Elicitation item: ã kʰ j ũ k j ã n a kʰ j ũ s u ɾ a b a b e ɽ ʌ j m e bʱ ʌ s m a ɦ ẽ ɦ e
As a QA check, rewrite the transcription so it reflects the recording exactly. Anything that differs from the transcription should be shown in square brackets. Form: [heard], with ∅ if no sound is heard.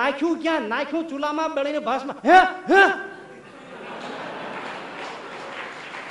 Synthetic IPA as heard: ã kʰ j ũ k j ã n a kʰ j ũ [t͡s] u [l] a [m] a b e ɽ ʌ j [n] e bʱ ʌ s m a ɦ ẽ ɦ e